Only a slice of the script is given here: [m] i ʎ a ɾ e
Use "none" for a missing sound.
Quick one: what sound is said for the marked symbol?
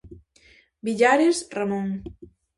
b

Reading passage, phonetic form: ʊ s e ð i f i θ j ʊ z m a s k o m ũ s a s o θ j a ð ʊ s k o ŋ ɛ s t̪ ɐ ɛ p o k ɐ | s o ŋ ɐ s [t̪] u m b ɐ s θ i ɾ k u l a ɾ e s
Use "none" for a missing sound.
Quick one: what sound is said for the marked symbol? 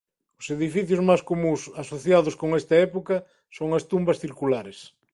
t̪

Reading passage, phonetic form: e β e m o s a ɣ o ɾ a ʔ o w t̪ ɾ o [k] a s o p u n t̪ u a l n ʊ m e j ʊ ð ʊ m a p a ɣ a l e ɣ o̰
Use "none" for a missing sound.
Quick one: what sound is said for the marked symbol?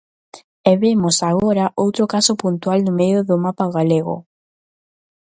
k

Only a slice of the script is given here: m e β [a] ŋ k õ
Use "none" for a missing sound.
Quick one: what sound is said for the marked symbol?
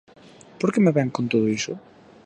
ɛ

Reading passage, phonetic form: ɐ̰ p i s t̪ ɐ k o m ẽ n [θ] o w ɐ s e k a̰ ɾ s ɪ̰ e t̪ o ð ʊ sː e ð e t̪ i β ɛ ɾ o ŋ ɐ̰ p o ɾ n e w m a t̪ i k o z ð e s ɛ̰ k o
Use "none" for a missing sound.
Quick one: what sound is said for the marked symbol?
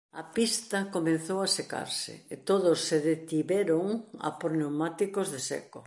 θ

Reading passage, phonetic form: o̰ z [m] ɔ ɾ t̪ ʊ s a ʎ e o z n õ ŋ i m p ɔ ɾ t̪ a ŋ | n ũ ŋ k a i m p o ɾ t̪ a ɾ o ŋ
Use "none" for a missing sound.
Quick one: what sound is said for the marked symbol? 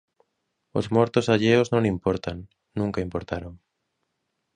m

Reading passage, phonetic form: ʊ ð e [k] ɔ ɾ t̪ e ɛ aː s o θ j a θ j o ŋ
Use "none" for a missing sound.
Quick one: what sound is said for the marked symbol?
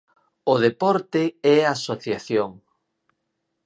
p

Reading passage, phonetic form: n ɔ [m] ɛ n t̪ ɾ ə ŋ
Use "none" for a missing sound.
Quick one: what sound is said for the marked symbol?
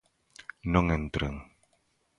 ŋ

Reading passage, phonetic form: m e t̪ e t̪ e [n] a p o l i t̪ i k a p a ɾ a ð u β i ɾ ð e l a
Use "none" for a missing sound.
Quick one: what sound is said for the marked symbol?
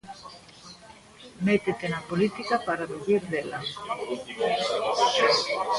n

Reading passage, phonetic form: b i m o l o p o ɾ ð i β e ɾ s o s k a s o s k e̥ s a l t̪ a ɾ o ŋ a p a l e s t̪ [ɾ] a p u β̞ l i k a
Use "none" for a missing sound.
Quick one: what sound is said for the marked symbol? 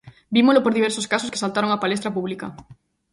ɾ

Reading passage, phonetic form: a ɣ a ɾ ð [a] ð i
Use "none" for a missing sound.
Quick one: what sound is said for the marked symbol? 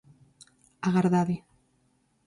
a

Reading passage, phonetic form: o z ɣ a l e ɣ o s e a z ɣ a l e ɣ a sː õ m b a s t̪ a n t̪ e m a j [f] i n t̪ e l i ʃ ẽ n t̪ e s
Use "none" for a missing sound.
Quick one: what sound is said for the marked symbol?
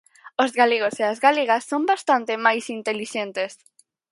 s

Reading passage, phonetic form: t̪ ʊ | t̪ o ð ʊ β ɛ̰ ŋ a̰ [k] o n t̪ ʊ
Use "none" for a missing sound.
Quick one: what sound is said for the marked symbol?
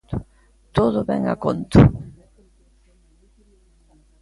k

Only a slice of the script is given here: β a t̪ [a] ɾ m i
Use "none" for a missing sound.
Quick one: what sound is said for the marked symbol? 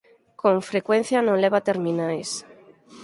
e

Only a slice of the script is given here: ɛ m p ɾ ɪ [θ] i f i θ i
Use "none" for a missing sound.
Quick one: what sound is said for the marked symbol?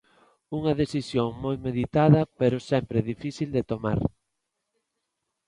ð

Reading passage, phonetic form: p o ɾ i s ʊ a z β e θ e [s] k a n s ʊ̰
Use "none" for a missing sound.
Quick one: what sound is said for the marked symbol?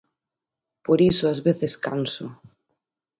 s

